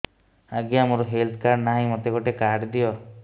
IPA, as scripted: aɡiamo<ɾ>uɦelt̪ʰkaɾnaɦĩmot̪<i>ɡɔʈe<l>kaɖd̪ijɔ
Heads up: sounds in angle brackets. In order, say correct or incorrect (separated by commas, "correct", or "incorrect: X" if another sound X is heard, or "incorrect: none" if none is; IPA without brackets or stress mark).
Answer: correct, incorrect: e, incorrect: none